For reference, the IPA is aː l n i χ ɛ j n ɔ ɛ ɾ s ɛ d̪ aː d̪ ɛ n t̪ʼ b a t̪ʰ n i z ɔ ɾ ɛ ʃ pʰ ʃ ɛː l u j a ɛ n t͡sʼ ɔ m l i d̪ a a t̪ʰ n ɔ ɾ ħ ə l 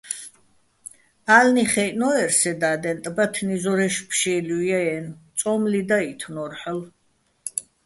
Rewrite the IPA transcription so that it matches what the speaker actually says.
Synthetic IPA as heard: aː l n i χ ɛ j n ɔ ɛ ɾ s ɛ d̪ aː d̪ ɛ n t̪ʼ b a t̪ʰ n i z ɔ ɾ ɛ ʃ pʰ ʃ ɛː l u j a ɛ n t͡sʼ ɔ m l i d̪ a i t̪ʰ n ɔ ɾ ħ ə l